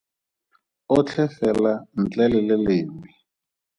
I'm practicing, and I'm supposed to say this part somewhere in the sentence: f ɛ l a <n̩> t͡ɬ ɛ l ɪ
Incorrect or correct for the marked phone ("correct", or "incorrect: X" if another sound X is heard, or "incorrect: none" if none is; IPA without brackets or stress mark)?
correct